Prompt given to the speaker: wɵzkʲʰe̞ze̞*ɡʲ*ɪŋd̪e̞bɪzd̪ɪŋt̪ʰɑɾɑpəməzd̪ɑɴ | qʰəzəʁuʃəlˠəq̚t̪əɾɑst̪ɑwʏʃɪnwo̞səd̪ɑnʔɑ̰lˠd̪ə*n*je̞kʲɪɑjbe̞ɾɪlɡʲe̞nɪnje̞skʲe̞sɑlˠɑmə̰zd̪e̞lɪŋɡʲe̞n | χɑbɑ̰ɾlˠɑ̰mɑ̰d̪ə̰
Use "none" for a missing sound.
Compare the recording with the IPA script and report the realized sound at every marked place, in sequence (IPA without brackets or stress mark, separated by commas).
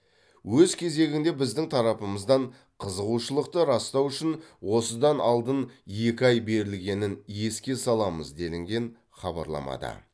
ɡʲ, n